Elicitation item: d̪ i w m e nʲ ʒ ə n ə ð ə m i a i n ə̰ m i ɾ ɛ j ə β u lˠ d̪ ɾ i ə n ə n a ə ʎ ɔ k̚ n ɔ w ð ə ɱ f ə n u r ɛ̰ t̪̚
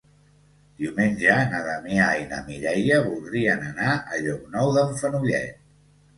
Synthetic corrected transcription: d̪ i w m e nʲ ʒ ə n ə ð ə m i a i n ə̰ m i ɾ ɛ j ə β u lˠ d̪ ɾ i ə n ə n a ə ʎ ɔ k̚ n ɔ w ð ə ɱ f ə n u ʎ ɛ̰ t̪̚